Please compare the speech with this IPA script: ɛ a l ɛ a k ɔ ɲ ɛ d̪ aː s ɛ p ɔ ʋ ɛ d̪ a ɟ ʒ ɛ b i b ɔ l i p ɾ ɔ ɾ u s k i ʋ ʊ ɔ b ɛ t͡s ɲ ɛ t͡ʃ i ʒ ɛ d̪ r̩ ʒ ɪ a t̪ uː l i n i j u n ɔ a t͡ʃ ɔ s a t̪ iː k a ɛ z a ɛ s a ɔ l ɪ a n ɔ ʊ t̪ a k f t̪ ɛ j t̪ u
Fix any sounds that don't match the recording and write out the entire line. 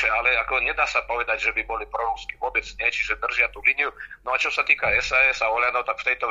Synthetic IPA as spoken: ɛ a l ɛ a k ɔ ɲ ɛ d̪ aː s a p ɔ ʋ ɛ d̪ a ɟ ʒ ɛ b i b ɔ l i p ɾ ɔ ɾ u s k i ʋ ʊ ɔ b ɛ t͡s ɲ ɛ t͡ʃ i ʒ ɛ d̪ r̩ ʒ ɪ a t̪ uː l i n i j u n ɔ a t͡ʃ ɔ s a t̪ iː k a ɛ s a ɛ s a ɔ l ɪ a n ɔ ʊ t̪ a k f t̪ ɛ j t̪ ɔ